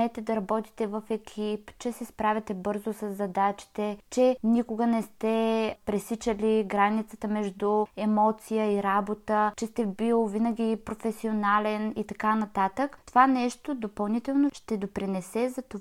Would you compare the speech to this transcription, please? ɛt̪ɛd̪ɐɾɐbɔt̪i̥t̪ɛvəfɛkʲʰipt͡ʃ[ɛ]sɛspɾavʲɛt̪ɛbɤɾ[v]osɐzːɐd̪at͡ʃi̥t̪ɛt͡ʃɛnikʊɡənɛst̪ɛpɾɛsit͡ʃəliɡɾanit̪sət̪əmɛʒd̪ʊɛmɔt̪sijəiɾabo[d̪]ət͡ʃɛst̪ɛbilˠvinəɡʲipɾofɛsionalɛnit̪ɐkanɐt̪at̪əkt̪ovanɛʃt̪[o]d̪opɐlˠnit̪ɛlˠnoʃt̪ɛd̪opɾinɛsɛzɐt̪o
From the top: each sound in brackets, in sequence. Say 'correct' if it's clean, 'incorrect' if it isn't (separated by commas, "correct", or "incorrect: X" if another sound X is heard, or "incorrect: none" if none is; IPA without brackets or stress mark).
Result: correct, incorrect: z, incorrect: t̪, correct